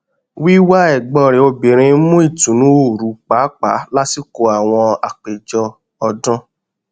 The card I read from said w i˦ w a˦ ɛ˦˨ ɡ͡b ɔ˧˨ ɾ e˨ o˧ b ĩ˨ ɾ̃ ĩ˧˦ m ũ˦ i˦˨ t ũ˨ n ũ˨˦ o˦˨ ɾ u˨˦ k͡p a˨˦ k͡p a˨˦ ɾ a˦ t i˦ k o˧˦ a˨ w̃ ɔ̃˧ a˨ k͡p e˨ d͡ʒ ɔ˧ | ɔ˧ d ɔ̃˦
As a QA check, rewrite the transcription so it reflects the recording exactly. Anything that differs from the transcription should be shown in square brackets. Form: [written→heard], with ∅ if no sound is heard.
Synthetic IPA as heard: w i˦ w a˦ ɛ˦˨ ɡ͡b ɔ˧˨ ɾ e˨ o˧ b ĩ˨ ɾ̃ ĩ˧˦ m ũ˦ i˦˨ t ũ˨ n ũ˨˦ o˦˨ ɾ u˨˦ k͡p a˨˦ k͡p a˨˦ [ɾ→l] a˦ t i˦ k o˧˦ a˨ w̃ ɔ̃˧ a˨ k͡p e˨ d͡ʒ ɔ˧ | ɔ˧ d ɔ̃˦